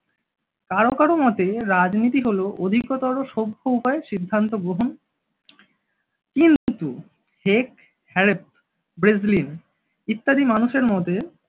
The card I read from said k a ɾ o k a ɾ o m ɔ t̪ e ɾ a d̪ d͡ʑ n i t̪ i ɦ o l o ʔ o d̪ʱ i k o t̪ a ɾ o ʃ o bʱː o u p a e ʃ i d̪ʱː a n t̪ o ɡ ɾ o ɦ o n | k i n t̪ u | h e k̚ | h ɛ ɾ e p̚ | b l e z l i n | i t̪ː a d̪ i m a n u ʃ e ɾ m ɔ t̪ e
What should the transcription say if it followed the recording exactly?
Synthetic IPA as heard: k a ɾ o k a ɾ o m ɔ t̪ e ɾ a d͡ʑ n i t̪ i ɦ o l o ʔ o d̪ʱ i k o t̪ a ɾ o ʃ o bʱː o u p a e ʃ i d̪ʱː a n t̪ o ɡ ɾ o ɦ o n | k i n t̪ u | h e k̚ | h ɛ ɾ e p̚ | b ɾ e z l i n | i t̪ː a d̪ i m a n u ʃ e ɾ m ɔ t̪ e